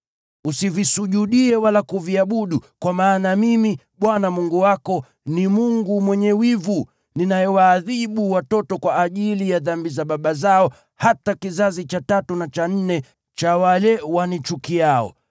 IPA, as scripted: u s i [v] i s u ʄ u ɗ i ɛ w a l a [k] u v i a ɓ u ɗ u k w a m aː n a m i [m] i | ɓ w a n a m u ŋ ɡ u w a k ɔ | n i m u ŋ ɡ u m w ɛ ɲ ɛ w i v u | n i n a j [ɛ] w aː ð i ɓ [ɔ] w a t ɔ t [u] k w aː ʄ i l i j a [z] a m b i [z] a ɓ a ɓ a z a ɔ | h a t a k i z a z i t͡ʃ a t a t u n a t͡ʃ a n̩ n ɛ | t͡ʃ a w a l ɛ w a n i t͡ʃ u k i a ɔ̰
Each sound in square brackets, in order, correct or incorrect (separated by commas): correct, correct, correct, correct, incorrect, incorrect, incorrect, correct